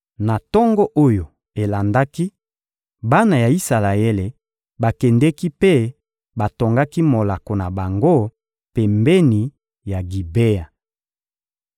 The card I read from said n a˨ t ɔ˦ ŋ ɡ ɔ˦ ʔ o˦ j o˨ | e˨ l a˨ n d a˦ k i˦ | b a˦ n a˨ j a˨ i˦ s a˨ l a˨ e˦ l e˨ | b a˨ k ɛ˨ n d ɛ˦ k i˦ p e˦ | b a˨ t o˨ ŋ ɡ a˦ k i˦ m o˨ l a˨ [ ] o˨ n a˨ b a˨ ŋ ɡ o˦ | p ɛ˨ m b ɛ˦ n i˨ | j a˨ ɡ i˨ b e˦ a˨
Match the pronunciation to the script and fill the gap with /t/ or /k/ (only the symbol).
k